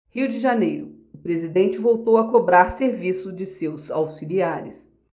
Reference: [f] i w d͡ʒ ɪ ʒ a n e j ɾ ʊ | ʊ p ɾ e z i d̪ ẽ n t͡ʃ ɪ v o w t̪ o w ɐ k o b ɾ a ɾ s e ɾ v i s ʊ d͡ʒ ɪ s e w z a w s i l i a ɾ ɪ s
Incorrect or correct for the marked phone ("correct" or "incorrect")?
incorrect